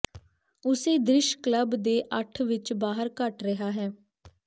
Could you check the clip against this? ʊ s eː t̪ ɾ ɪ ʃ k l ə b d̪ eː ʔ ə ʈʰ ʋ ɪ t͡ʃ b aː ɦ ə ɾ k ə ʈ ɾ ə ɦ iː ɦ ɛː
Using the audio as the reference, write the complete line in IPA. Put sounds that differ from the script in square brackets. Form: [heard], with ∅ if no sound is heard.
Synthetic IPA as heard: ʊ s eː [d̪] ɾ ɪ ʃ k l ə b d̪ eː ʔ ə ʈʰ ʋ ɪ t͡ʃ b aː ɦ ə ɾ k ə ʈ ɾ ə ɦ [aː] ɦ ɛː